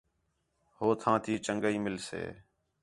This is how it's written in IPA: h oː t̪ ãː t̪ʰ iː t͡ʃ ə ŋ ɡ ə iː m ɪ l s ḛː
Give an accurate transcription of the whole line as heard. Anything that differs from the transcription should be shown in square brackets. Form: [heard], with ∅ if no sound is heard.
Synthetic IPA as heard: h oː [t̪ʰ] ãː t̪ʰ iː t͡ʃ ə ŋ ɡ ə iː m ɪ l s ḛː